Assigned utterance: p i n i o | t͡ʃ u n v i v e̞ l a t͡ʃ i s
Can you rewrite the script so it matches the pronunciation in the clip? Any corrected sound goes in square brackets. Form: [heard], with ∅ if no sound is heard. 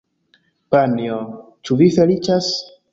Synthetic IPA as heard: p [a] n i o | t͡ʃ u [∅] v i [f] e̞ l [i] t͡ʃ [a] s